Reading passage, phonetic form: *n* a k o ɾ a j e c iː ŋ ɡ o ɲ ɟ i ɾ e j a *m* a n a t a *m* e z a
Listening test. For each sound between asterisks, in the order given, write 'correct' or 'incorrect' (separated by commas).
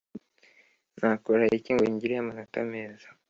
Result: correct, correct, correct